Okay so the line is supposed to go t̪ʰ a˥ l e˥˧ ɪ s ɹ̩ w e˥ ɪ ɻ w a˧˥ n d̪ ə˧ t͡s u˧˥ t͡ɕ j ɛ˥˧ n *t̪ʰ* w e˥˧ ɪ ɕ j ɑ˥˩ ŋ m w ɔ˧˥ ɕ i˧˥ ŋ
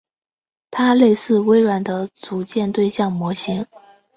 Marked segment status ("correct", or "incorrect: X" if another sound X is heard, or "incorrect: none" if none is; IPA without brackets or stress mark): incorrect: t̪